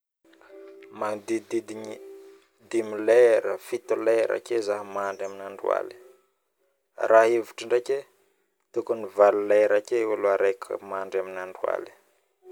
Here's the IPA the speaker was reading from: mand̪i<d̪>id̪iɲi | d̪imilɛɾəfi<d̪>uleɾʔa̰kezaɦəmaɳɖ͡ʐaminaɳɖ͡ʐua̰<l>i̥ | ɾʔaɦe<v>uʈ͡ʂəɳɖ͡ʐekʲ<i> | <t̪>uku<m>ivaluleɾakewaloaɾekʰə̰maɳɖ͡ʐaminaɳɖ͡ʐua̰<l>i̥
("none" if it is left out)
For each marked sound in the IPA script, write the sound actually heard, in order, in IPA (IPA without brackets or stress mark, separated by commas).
d̪, t̪, l, v, e, t̪, n, l